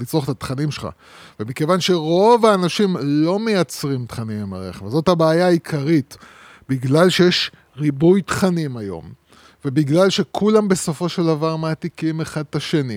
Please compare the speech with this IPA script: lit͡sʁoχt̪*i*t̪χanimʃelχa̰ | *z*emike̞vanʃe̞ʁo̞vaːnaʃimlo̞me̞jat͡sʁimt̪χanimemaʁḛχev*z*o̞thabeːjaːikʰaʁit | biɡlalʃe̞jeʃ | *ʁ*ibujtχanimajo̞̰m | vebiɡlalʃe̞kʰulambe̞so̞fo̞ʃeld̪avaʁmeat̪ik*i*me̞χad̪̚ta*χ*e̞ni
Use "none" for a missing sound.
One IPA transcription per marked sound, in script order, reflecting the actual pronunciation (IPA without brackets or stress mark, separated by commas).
a, v, z, ʁ, i, ʃ